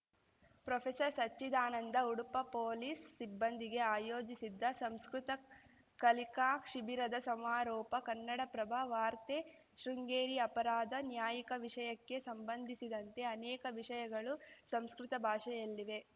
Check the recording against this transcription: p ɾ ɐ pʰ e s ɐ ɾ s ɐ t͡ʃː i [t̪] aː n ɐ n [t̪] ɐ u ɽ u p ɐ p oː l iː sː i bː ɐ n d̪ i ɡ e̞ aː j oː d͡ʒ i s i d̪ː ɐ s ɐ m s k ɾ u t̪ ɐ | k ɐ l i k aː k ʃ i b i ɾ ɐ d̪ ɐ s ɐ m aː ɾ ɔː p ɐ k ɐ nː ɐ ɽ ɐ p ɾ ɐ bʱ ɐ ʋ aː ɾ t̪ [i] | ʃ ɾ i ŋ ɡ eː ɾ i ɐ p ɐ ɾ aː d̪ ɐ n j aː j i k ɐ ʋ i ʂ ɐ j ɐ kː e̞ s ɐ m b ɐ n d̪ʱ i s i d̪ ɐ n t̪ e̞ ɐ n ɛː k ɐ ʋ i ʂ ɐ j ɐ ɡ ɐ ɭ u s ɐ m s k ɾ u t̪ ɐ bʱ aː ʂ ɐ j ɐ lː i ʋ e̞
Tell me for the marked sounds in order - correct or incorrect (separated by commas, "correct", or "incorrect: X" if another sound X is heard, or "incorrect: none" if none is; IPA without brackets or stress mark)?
incorrect: d̪, incorrect: d̪, incorrect: e